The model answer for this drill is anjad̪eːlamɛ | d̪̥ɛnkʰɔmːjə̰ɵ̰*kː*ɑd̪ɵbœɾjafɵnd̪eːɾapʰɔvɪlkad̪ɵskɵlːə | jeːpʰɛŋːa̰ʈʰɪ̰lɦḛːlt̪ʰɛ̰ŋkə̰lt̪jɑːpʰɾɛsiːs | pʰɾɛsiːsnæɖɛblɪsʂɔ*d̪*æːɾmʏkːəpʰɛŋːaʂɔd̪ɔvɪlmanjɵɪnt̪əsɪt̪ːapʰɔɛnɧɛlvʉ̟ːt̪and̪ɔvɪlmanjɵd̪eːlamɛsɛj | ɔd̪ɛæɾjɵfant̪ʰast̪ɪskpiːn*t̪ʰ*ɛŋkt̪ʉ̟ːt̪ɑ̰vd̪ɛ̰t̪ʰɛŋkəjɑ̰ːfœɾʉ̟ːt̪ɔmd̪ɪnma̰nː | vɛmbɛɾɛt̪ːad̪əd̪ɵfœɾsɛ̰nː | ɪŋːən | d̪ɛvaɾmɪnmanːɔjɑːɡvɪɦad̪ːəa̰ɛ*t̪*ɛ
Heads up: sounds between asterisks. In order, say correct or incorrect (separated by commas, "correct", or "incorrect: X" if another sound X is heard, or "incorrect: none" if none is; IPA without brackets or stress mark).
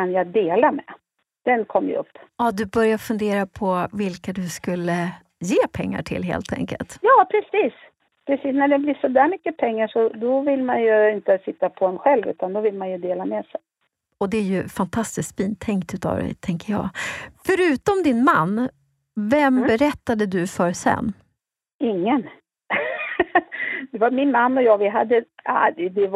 incorrect: pː, correct, correct, incorrect: d̪